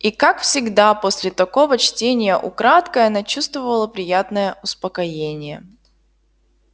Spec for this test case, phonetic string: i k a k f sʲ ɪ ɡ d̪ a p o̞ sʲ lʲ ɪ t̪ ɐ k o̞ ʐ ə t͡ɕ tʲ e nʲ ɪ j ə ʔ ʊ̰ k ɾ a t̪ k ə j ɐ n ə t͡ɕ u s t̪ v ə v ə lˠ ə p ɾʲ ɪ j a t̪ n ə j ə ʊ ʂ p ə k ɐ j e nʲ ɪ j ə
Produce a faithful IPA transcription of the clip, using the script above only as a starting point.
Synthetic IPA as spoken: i k a k f sʲ ɪ ɡ d̪ a p o̞ sʲ lʲ ɪ t̪ ɐ k o̞ v ə t͡ɕ tʲ e nʲ ɪ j ə ʔ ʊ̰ k ɾ a t̪ k ə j ɐ n a t͡ɕ u s t̪ v ə v ə lˠ ə p ɾʲ ɪ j a t̪ n ə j ə ʊ s p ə k ɐ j e nʲ ɪ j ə